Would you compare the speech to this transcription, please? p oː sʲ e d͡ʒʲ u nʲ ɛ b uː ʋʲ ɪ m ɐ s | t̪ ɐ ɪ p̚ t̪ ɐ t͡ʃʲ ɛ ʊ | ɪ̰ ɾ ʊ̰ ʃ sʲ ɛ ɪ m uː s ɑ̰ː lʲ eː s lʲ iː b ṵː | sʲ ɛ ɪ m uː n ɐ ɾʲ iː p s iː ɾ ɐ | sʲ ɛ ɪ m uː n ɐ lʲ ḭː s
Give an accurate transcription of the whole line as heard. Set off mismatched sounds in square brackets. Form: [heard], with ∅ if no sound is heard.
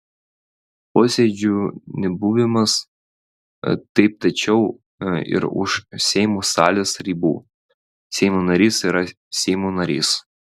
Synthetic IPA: p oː sʲ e d͡ʒʲ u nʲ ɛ b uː ʋʲ ɪ m ɐ s | t̪ ɐ ɪ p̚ t̪ ɐ t͡ʃʲ ɛ ʊ | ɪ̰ ɾ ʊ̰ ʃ sʲ ɛ ɪ m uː s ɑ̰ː lʲ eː s [ɾʲ] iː b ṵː | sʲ ɛ ɪ m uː n ɐ ɾʲ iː [∅] s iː ɾ ɐ | sʲ ɛ ɪ m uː n ɐ [ɾʲ] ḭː s

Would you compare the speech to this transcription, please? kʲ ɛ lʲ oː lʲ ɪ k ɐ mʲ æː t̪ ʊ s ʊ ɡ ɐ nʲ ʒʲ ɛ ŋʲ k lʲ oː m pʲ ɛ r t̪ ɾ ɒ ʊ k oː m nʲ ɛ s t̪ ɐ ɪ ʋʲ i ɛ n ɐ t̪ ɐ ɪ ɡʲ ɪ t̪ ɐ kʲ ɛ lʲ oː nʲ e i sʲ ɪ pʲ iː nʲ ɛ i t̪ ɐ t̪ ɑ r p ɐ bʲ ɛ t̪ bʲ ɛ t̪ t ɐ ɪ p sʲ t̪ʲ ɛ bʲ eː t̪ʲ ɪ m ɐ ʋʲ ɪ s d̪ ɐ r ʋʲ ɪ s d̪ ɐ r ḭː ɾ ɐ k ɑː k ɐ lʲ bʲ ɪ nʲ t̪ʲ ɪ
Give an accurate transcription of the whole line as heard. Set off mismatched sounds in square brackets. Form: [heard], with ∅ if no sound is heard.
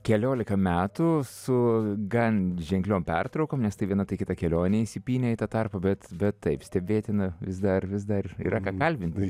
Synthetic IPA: kʲ ɛ lʲ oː lʲ ɪ k ɐ mʲ æː t̪ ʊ s ʊ ɡ ɐ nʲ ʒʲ ɛ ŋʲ k lʲ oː m pʲ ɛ r t̪ ɾ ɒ ʊ k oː m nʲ ɛ s t̪ ɐ ɪ ʋʲ i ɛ n ɐ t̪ ɐ ɪ [kʲ] ɪ t̪ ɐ kʲ ɛ lʲ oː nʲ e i sʲ ɪ pʲ iː nʲ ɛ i t̪ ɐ t̪ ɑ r p ɐ bʲ ɛ t̪ bʲ ɛ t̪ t ɐ ɪ p sʲ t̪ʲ ɛ bʲ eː t̪ʲ ɪ [n] ɐ ʋʲ ɪ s d̪ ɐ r ʋʲ ɪ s d̪ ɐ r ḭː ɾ ɐ k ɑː k ɐ lʲ bʲ ɪ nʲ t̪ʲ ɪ

